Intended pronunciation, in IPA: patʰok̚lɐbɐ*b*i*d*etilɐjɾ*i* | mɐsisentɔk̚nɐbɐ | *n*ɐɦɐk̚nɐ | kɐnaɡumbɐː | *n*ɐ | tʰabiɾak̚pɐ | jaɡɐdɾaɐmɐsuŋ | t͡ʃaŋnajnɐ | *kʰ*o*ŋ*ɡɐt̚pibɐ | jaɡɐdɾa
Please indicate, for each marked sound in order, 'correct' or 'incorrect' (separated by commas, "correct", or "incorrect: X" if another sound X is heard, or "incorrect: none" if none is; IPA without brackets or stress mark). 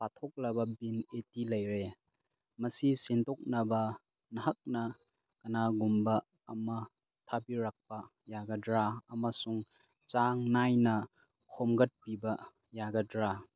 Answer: correct, incorrect: n, incorrect: e, correct, incorrect: m, correct, incorrect: m